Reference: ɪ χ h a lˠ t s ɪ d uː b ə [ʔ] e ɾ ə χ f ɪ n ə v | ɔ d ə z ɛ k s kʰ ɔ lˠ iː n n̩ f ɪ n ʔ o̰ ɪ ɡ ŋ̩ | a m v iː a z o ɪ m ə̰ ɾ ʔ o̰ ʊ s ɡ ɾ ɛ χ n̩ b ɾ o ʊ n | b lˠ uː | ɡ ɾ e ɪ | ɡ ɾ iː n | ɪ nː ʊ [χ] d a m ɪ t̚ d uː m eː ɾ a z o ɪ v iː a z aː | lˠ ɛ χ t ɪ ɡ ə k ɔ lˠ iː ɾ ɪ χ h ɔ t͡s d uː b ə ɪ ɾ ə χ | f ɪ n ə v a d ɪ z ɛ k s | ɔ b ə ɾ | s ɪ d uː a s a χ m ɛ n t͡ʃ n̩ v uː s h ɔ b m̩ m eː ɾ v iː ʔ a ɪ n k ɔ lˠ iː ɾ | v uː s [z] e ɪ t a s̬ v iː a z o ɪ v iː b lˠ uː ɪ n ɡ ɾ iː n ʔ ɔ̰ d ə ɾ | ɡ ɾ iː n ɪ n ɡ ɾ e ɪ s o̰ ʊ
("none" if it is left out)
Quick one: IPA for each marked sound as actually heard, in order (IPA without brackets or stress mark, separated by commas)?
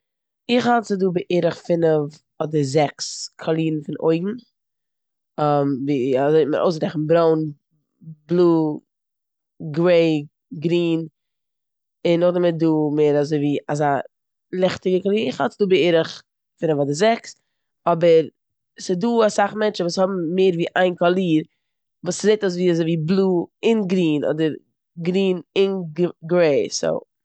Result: ʔ, χ, z